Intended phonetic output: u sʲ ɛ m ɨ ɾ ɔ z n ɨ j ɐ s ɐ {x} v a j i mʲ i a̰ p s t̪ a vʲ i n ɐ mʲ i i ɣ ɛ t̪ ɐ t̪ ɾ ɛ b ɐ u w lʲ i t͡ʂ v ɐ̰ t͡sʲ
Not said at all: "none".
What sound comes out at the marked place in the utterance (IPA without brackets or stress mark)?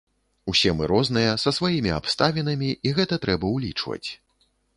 s